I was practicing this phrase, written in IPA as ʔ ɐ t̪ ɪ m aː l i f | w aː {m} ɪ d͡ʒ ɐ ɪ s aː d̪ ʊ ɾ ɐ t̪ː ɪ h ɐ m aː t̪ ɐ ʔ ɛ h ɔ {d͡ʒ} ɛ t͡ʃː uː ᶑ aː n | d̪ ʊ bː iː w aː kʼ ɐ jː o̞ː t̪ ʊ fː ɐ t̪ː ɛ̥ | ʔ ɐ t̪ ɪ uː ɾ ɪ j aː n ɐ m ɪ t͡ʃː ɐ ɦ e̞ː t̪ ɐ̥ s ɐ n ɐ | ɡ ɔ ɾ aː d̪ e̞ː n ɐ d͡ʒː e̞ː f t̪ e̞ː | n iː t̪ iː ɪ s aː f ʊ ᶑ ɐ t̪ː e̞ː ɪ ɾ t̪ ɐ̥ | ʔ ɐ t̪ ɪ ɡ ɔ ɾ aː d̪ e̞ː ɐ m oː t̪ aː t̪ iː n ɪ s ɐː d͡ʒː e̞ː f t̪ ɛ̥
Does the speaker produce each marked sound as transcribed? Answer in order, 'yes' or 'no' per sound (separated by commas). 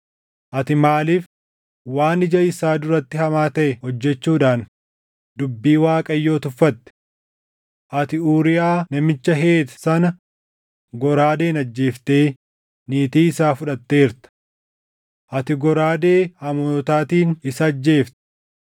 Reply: no, no